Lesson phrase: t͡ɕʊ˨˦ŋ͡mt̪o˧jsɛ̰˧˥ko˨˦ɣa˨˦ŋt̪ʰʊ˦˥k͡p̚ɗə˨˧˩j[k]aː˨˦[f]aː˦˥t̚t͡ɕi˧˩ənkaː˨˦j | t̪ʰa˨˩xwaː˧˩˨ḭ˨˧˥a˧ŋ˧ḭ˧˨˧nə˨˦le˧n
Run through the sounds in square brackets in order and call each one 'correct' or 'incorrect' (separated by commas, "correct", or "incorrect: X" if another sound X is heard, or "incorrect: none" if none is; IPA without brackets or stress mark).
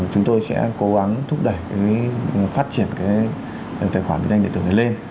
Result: correct, correct